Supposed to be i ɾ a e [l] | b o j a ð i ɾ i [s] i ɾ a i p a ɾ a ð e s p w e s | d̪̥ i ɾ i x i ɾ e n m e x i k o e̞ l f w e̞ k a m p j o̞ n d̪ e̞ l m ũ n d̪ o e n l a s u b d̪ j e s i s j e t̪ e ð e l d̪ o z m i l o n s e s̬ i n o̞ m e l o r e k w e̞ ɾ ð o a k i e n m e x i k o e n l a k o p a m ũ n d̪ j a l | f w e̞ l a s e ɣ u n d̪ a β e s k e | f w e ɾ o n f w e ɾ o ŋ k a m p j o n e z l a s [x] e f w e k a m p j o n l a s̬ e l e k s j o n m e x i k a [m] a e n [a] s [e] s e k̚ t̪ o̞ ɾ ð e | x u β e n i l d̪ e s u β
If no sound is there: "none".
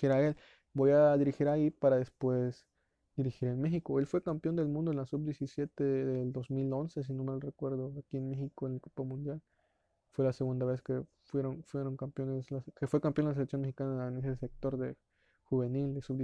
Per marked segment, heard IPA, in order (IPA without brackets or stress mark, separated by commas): l, x, k, n, e, e